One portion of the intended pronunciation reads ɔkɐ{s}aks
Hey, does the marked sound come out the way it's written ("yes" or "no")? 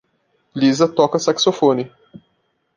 yes